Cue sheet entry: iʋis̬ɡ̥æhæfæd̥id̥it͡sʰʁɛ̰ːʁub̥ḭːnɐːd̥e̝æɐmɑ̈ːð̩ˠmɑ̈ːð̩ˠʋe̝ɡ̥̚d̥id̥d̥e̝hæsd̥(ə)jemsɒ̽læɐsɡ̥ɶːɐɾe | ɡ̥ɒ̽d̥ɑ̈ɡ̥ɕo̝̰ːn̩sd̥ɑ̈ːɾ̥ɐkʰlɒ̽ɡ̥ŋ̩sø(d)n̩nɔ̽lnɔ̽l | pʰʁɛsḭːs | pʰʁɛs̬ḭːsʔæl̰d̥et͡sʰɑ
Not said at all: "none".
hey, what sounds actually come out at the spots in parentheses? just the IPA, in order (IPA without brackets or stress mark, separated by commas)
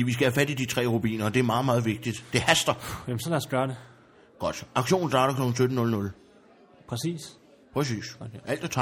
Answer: ɐ, d